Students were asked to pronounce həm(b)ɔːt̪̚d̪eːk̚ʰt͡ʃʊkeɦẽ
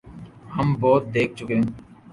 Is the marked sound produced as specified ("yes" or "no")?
yes